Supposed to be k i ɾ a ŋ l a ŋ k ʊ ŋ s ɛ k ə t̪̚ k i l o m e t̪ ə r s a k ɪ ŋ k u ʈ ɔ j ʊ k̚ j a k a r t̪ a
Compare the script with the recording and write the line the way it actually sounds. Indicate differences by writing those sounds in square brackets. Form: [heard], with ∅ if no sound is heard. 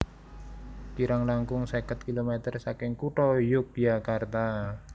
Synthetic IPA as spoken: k i ɾ a ŋ l a ŋ k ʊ ŋ s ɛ k ə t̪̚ k i l o m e t̪ ə r s a k ɪ ŋ k u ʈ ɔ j ʊ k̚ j a k a r t̪ a